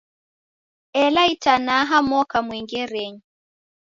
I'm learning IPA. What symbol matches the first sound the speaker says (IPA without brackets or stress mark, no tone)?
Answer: ɛ